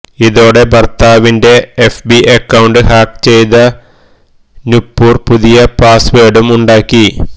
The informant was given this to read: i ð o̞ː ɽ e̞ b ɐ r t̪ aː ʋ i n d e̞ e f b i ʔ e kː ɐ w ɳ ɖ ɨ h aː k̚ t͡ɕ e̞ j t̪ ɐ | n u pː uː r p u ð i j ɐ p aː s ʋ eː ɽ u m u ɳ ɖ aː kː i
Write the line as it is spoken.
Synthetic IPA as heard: i ð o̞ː ɽ e̞ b ɐ r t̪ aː ʋ i n d e̞ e f b i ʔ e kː ɐ w ɳ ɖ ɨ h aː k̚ t͡ɕ e̞ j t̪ ɐ | n u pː uː r p u ð i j ɐ p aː s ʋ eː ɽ u m u ɳ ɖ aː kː i